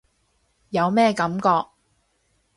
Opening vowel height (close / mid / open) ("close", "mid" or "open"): open